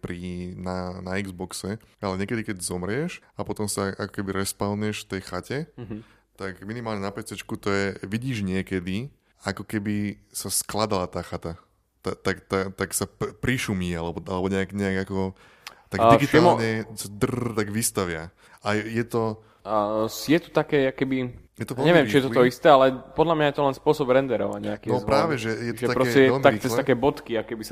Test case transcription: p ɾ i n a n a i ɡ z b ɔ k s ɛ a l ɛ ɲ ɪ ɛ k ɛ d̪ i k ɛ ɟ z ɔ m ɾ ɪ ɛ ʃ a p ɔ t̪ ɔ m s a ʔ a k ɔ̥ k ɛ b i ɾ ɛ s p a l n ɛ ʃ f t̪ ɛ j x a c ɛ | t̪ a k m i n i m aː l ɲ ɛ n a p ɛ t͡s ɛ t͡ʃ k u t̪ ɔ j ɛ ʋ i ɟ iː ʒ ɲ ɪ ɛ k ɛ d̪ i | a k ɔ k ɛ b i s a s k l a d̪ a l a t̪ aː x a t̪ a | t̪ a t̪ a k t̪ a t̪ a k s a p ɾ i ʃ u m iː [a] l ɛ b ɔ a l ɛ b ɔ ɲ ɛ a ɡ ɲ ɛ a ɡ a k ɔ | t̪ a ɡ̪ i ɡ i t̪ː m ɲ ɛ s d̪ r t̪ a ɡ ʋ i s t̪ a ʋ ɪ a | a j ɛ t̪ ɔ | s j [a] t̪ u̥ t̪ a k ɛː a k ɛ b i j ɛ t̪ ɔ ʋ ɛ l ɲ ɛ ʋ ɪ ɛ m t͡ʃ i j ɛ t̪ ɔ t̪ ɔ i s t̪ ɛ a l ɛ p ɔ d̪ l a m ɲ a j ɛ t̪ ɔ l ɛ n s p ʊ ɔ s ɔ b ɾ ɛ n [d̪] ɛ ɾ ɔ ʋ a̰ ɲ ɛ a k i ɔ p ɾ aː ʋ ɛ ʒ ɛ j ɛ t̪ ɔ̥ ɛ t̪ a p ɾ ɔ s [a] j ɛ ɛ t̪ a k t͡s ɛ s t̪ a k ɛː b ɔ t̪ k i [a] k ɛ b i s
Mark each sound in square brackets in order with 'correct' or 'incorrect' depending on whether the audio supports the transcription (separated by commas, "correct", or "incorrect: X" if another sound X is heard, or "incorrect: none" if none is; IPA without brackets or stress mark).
correct, incorrect: ɛ, correct, incorrect: ɛ, correct